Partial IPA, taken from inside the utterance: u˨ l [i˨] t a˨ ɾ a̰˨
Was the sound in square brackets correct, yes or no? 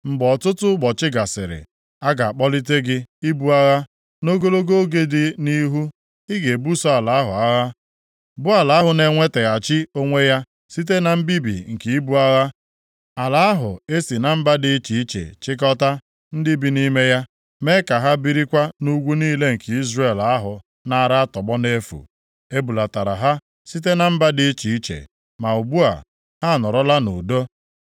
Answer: no